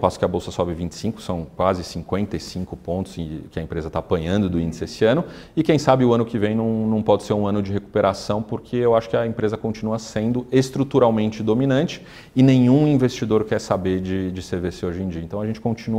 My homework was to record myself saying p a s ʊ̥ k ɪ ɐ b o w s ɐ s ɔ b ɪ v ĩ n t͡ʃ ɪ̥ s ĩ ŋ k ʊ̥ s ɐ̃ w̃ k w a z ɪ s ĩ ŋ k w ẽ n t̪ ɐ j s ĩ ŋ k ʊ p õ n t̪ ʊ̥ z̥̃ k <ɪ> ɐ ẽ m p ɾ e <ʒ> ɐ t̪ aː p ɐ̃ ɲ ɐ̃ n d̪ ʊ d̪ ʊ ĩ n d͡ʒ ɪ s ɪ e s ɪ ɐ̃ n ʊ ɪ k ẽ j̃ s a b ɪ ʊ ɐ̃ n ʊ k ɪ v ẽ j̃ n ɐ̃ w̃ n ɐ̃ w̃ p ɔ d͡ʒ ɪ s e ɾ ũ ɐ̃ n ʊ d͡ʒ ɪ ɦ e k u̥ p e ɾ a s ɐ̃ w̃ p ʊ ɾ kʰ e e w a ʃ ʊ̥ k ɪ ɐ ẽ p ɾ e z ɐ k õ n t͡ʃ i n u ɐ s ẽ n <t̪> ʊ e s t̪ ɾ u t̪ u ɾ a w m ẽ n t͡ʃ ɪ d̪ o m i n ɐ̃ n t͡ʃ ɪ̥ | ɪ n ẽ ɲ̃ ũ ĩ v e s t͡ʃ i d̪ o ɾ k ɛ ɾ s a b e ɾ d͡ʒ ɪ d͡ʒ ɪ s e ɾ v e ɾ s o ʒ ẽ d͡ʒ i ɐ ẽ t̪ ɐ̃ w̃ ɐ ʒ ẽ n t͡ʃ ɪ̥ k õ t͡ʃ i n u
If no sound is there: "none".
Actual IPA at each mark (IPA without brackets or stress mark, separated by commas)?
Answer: ɪ, z, d̪